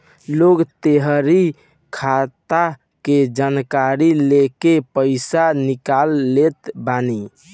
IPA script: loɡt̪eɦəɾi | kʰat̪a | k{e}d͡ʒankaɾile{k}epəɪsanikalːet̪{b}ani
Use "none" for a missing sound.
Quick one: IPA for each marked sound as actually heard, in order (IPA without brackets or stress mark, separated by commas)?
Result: e, k, b